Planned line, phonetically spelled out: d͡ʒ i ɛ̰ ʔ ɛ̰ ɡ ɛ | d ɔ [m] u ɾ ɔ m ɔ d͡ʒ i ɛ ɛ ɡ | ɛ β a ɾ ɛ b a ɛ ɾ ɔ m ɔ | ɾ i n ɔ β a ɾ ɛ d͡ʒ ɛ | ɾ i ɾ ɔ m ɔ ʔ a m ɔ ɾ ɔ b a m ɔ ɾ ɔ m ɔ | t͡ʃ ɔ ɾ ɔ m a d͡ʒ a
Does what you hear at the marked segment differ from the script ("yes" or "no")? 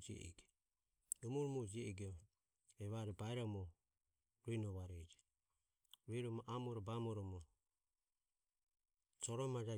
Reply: no